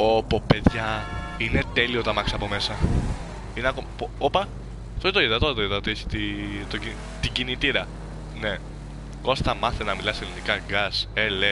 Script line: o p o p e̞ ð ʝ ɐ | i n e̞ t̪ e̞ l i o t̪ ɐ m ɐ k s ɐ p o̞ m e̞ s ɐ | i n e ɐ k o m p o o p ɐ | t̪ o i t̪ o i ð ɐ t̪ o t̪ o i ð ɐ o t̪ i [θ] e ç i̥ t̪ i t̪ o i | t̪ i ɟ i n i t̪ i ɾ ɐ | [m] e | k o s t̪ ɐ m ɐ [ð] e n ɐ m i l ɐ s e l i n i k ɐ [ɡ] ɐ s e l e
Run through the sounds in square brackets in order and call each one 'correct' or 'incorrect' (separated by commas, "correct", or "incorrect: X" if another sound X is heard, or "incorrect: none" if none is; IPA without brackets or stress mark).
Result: incorrect: none, incorrect: n, incorrect: θ, correct